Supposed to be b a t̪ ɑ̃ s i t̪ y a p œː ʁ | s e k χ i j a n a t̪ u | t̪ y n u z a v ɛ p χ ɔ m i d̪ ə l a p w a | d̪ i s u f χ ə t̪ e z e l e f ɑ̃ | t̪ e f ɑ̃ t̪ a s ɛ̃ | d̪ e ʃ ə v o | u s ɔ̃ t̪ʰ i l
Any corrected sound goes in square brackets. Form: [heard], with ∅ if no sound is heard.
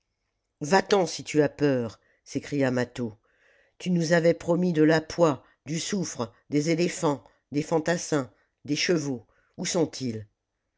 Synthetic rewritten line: [v] a t̪ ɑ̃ s i t̪ y a p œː ʁ | s e k χ i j a [m] a t̪ [o] | t̪ y n u z a v ɛ p χ ɔ m i d̪ ə l a p w a | d̪ [y] s u f χ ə [d̪] e z e l e f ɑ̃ | [d̪] e f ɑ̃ t̪ a s ɛ̃ | d̪ e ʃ ə v o | u s ɔ̃ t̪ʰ i l

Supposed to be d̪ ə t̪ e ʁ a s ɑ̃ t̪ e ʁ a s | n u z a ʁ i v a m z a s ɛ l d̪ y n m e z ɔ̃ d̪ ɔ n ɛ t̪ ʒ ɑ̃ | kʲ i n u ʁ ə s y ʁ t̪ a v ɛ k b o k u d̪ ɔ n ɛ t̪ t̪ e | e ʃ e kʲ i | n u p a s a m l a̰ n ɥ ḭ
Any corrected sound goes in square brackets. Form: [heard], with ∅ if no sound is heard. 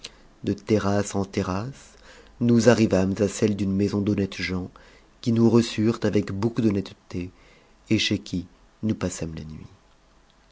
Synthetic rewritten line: d̪ ə t̪ e ʁ a s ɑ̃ t̪ e ʁ a s | n u z a ʁ i v a m z a s ɛ l d̪ y n m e z ɔ̃ d̪ ɔ n ɛ t̪ ʒ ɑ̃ | kʲ i n u ʁ ə s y ʁ t̪ a v ɛ k b o k u d̪ ɔ n ɛ t̪ t̪ e | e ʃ e kʲ i | n u p a s a m l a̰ n ɥ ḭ

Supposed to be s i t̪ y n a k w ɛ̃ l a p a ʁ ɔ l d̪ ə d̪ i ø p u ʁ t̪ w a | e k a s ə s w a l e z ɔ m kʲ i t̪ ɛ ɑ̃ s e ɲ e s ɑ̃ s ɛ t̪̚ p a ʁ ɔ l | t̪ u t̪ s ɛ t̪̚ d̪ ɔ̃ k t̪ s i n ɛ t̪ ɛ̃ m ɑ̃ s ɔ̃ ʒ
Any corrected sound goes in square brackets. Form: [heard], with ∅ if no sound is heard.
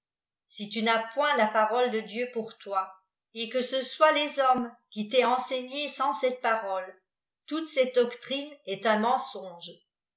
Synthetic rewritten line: s i t̪ y n a [p] w ɛ̃ l a p a ʁ ɔ l d̪ ə d̪ [j] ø p u ʁ t̪ w a | e k [ə] s ə s w a l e z ɔ m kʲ i t̪ ɛ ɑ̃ s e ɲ e s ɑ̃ s ɛ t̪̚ p a ʁ ɔ l | t̪ u t̪ s ɛ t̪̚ d̪ [ɔ] k t̪ [χ] i n ɛ t̪ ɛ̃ m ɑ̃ s ɔ̃ ʒ

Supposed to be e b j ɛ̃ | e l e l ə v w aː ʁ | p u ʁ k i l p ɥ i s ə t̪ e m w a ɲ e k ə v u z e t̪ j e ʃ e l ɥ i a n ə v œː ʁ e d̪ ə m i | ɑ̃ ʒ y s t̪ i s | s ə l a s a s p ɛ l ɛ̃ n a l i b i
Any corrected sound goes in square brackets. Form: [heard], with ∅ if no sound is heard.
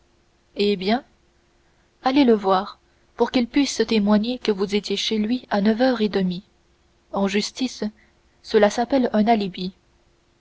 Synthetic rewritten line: e b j ɛ̃ | [a] l e l ə v w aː ʁ | p u ʁ k i l p ɥ i s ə t̪ e m w a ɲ e k ə v u z e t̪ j e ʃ e l ɥ i a n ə v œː ʁ e d̪ ə m i | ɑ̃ ʒ y s t̪ i s | s ə l a s a [∅] p ɛ l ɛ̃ n a l i b i

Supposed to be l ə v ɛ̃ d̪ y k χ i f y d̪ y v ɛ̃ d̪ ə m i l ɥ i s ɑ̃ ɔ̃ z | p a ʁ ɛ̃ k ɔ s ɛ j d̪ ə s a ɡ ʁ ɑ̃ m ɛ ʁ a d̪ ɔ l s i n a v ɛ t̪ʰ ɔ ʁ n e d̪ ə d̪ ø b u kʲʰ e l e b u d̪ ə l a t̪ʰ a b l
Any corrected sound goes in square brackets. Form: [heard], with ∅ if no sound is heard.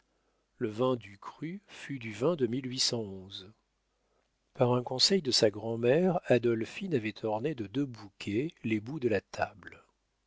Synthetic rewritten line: l ə v ɛ̃ d̪ y k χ [y] f y d̪ y v ɛ̃ d̪ ə m i l ɥ i s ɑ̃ ɔ̃ z | p a ʁ ɛ̃ k [ɔ̃] s ɛ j d̪ ə s a ɡ ʁ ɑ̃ m ɛ ʁ a d̪ ɔ l [f] i n a v ɛ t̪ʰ ɔ ʁ n e d̪ ə d̪ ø b u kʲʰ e l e b u d̪ ə l a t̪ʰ a b l

